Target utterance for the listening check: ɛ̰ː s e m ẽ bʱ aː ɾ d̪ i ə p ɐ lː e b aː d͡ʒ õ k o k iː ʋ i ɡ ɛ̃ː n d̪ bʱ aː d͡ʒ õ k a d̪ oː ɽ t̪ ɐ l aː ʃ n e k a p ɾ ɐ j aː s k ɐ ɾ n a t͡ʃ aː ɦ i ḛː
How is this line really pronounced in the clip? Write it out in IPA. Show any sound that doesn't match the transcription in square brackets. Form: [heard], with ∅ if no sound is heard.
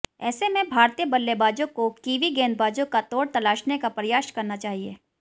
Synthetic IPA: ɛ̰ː s e m ẽ bʱ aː ɾ [t̪] i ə [b] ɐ lː e b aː d͡ʒ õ k o k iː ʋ i ɡ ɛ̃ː n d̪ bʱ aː d͡ʒ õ k a [t̪] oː ɽ t̪ ɐ l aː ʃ n e k a p ɾ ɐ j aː [ʃ] k ɐ ɾ n a t͡ʃ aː ɦ i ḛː